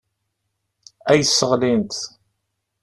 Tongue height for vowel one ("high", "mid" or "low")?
low